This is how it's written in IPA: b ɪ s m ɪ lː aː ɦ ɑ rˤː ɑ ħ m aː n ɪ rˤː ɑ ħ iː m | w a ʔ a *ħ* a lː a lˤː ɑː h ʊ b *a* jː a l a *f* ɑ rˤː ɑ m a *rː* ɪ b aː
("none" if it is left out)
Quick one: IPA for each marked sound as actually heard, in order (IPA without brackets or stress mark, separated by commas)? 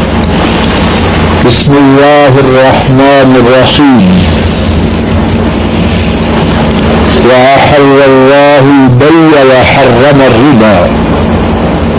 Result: ħ, a, ħ, rː